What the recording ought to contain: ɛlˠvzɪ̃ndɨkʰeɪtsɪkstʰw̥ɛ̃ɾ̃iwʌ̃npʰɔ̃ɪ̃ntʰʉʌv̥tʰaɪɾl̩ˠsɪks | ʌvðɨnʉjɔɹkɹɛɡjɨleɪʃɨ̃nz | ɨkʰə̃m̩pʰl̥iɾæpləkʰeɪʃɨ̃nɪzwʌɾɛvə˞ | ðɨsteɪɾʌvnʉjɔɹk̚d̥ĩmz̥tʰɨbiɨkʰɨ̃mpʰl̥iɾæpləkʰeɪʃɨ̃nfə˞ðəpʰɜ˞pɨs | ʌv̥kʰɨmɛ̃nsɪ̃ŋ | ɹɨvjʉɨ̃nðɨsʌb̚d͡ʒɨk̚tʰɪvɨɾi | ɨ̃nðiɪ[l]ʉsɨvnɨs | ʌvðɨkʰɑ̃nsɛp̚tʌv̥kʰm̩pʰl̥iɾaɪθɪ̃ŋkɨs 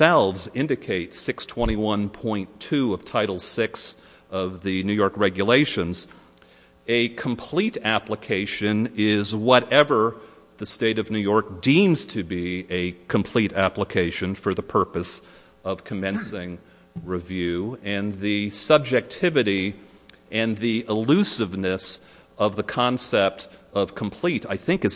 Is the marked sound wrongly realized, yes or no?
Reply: no